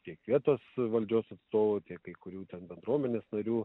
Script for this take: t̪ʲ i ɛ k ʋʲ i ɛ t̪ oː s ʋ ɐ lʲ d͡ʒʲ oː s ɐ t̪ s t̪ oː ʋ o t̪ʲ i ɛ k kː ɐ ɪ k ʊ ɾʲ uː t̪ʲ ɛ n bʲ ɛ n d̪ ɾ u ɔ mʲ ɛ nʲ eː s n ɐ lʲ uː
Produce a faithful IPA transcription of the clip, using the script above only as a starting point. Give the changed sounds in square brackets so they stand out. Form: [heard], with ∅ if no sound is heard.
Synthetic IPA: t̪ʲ i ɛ k ʋʲ i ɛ t̪ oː s ʋ ɐ lʲ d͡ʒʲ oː s ɐ t̪ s t̪ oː ʋ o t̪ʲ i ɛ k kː ɐ ɪ k ʊ ɾʲ uː t̪ʲ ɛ n bʲ ɛ n d̪ ɾ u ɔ mʲ ɛ nʲ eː s n ɐ [ɾʲ] uː